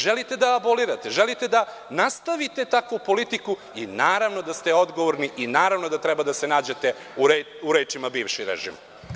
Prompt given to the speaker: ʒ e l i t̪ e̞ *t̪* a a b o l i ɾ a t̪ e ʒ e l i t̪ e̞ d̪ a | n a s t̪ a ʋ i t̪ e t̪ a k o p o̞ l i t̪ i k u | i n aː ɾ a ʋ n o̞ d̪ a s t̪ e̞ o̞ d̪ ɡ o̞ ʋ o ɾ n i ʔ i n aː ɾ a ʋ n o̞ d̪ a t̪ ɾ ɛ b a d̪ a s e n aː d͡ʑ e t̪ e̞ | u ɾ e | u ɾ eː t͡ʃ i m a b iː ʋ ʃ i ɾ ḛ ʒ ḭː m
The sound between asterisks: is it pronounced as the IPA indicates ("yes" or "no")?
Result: no